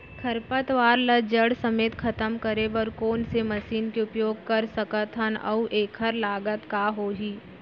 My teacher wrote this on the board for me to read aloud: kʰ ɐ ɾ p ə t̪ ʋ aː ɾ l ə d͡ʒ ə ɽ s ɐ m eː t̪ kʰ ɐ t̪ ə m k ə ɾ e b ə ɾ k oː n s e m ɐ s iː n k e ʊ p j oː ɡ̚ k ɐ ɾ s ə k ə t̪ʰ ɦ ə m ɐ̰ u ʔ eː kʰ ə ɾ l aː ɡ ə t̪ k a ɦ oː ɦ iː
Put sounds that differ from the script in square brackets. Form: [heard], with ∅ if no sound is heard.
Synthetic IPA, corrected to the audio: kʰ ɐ ɾ p ə t̪ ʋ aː ɾ l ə d͡ʒ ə ɽ s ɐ m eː t̪ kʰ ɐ t̪ ə m k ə ɾ e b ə ɾ k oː n s e m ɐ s iː n k e ʊ p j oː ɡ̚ k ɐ ɾ s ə k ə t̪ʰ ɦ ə [n] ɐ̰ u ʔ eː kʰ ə ɾ l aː ɡ ə t̪ k a ɦ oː ɦ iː